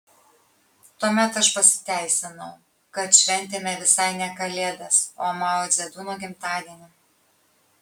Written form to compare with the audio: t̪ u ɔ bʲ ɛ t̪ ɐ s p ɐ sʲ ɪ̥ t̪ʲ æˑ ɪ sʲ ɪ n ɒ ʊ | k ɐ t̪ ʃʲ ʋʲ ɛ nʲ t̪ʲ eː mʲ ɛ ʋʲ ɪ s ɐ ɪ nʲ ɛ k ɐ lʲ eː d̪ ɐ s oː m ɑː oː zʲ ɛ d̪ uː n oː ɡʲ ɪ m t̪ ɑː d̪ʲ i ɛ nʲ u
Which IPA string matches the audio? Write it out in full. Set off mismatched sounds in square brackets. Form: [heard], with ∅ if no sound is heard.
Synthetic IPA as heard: t̪ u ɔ [mʲ] ɛ t̪ ɐ [ʃ] p ɐ sʲ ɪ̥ t̪ʲ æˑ ɪ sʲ ɪ n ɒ ʊ | k ɐ t̪ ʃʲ ʋʲ ɛ nʲ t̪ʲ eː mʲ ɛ ʋʲ ɪ s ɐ ɪ nʲ ɛ k ɐ lʲ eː d̪ ɐ s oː m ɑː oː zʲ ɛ d̪ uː n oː ɡʲ ɪ m t̪ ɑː d̪ʲ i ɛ nʲ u